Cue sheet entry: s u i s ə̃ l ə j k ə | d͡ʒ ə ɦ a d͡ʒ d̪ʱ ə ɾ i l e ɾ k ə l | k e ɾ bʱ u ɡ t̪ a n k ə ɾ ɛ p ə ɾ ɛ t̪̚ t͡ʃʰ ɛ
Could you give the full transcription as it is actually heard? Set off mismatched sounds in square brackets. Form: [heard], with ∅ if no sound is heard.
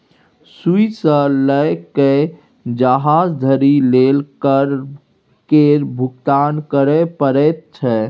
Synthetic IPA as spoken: s u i s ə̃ l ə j k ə | d͡ʒ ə ɦ a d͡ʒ d̪ʱ ə ɾ i l e [l] k ə [ɾ] | k e ɾ bʱ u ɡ t̪ a n k ə ɾ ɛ p ə ɾ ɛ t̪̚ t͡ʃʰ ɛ